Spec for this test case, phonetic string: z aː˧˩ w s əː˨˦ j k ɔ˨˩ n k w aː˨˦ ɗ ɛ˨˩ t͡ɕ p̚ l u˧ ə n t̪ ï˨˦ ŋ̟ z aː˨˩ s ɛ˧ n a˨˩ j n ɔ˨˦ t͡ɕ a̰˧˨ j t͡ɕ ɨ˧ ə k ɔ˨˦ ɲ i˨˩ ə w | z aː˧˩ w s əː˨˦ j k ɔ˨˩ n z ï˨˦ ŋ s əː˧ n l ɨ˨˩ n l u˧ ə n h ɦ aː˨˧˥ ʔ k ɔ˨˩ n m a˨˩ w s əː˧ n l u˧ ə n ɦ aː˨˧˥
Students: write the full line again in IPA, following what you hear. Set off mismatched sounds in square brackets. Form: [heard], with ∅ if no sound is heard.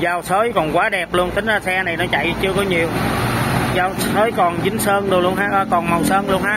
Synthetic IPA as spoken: z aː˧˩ w s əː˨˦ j k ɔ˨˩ n k w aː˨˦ ɗ ɛ˨˩ [∅] p̚ l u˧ ə n t̪ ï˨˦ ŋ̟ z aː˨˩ s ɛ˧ n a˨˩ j n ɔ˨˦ t͡ɕ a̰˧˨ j t͡ɕ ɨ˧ ə k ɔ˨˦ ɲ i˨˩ ə w | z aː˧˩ w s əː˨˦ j k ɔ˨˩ n z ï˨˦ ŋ s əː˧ n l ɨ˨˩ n l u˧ ə n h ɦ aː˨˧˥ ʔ k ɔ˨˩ n m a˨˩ w s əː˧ n l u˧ ə n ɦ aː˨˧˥